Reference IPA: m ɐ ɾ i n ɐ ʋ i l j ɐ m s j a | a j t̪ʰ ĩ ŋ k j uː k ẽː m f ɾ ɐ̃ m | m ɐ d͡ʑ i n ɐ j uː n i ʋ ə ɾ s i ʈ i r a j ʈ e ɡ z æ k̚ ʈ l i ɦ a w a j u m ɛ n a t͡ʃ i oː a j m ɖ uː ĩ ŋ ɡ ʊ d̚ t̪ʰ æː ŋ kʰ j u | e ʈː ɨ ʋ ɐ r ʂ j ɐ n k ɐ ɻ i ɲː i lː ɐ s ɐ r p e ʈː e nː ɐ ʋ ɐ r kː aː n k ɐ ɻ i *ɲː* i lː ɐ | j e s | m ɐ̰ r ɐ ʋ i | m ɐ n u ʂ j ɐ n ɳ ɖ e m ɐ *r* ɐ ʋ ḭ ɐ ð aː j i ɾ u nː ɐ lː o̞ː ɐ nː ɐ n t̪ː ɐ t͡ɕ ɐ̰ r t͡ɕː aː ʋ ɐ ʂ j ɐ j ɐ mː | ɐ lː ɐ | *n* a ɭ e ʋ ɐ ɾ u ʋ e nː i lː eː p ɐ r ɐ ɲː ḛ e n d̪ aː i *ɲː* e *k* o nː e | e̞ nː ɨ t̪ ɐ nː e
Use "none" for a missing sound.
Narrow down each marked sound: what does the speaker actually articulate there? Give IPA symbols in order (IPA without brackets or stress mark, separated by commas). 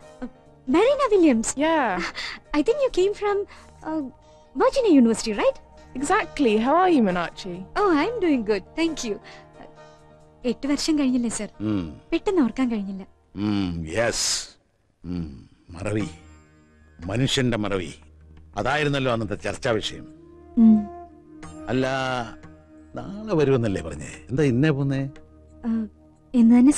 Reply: ɲː, r, n, nː, p